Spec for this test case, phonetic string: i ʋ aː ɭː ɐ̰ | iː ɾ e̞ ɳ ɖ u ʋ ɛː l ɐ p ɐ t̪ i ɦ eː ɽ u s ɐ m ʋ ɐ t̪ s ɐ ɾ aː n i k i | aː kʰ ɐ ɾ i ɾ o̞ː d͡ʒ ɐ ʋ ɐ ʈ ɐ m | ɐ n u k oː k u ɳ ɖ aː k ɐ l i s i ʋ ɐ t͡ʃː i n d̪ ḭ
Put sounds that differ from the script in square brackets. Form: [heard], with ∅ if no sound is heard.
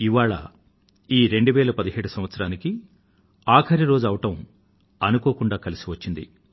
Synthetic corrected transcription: i ʋ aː [ɭ] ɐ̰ | iː ɾ e̞ ɳ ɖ u ʋ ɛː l ɐ p ɐ [d̪] i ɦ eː ɽ u s ɐ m ʋ ɐ t̪ s ɐ ɾ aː n i k i | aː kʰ ɐ ɾ i ɾ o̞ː d͡ʒ ɐ ʋ ɐ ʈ ɐ m | ɐ n u k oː k u ɳ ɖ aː k ɐ l i s i ʋ ɐ t͡ʃː i n d̪ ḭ